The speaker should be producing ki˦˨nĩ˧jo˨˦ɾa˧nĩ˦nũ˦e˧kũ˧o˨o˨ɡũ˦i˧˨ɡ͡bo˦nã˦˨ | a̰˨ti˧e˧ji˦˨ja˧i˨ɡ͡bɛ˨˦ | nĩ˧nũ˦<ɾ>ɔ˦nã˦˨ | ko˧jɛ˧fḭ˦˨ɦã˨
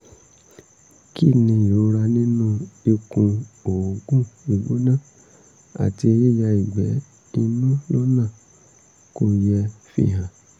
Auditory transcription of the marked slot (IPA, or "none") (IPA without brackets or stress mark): l